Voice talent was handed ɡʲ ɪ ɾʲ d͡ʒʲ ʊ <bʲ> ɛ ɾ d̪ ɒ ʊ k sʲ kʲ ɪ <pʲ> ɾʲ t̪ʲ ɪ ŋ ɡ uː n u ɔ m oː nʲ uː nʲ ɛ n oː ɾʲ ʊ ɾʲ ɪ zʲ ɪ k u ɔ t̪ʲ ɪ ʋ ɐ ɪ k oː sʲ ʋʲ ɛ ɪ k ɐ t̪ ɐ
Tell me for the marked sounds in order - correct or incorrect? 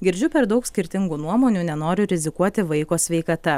incorrect: pʲ, incorrect: none

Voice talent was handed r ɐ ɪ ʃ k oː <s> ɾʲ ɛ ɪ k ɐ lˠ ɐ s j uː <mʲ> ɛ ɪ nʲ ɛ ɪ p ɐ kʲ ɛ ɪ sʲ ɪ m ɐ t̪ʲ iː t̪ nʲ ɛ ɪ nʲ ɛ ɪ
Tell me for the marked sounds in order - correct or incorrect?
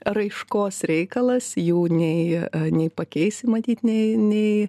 correct, incorrect: nʲ

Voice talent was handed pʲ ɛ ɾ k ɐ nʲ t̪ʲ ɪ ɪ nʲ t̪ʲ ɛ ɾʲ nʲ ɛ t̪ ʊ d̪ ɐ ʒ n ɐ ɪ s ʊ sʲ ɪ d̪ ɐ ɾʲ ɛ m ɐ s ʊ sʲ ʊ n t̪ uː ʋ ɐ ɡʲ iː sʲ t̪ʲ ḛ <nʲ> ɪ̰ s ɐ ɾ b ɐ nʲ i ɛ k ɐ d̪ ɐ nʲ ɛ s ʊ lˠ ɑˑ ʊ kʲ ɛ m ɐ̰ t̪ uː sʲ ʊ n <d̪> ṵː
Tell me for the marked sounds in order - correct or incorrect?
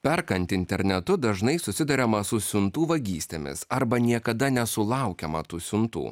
incorrect: mʲ, incorrect: t̪

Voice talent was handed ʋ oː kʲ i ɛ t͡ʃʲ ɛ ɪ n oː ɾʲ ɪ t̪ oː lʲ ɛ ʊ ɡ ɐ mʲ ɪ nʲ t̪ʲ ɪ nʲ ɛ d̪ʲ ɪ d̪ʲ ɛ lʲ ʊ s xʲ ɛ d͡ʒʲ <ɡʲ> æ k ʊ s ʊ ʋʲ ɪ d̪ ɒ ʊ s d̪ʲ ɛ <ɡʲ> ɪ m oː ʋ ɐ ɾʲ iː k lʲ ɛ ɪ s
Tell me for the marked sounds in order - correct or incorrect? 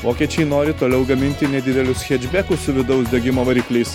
incorrect: bʲ, correct

